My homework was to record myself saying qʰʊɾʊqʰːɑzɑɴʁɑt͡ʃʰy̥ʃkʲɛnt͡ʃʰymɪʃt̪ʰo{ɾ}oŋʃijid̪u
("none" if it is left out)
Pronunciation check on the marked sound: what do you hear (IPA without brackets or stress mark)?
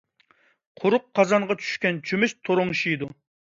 ɾ